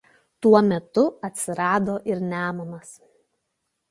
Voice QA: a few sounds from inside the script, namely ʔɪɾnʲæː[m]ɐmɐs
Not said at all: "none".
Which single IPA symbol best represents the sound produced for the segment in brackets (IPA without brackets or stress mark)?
m